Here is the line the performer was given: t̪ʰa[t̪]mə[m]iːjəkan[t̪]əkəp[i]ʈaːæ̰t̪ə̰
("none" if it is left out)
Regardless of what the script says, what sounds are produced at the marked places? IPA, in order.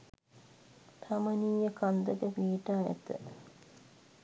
none, n, d̪, iː

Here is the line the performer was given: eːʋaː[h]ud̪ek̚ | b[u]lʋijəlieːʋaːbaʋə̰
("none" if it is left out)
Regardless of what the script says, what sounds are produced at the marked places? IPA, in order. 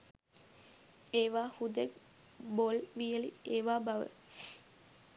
h, o

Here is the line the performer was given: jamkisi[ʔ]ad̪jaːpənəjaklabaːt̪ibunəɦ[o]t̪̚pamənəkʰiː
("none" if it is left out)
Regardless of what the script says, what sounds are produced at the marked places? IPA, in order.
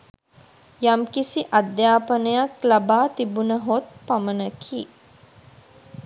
ʔ, o

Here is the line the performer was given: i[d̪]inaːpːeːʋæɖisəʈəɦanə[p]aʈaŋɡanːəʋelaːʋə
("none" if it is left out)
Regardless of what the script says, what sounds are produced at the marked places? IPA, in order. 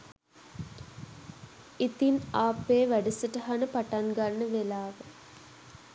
t̪, p

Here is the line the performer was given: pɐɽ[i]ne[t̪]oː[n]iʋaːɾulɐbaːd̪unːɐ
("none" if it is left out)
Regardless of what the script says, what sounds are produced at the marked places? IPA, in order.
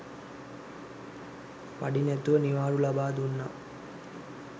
i, t̪, n

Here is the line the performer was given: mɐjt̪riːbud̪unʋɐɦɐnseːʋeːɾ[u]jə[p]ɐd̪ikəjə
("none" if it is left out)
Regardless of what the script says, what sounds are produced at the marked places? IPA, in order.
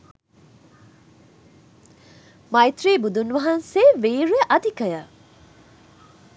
u, ʔ

